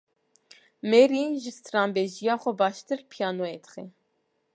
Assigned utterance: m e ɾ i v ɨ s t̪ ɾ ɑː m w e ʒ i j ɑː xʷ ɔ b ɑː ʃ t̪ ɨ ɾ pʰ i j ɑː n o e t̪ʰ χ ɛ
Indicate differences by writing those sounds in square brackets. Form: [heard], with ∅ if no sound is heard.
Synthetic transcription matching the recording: m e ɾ i [ʒ] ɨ s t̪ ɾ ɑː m [b] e ʒ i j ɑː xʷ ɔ b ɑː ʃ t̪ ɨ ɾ pʰ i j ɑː n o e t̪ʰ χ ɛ